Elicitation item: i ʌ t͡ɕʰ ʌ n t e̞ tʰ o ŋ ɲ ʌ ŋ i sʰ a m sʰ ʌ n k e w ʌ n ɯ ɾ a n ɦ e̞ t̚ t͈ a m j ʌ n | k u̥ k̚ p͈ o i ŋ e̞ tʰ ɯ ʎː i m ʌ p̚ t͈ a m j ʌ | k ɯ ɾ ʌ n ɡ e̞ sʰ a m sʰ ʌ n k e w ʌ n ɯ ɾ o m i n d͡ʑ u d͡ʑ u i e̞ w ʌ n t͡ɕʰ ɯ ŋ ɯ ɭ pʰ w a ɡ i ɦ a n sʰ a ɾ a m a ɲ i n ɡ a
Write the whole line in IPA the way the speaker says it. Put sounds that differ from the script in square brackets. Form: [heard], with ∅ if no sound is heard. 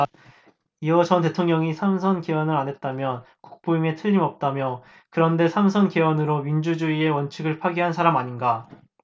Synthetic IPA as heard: i ʌ [t͡ɕ] ʌ n t e̞ tʰ o ŋ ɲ ʌ ŋ i sʰ a m sʰ ʌ n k e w ʌ n ɯ ɾ a n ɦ e̞ t̚ t͈ a m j ʌ n | k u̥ k̚ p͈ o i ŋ e̞ tʰ ɯ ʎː i m ʌ p̚ t͈ a m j ʌ | k ɯ ɾ ʌ n [d] e̞ sʰ a m sʰ ʌ n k e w ʌ n ɯ ɾ o m i n d͡ʑ u d͡ʑ u i e̞ w ʌ n t͡ɕʰ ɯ [ɡ] ɯ ɭ pʰ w a ɡ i ɦ a n sʰ a ɾ a m a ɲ i n ɡ a